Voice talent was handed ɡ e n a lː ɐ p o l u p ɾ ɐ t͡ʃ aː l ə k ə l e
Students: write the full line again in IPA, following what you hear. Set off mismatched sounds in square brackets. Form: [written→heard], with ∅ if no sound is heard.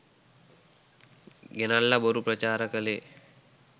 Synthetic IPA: ɡ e n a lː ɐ [p→b] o [l→ɾ] u p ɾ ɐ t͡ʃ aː [l→ɾ] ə k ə l e